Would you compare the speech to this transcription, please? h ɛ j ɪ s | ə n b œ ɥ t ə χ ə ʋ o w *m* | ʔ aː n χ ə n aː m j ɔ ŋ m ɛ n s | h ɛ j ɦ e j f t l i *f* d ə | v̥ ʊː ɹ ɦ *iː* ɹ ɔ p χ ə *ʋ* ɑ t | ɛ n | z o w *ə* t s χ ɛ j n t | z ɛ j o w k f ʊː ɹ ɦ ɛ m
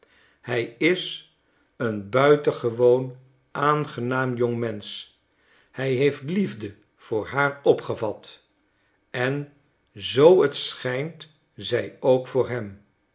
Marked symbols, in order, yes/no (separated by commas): no, no, no, no, yes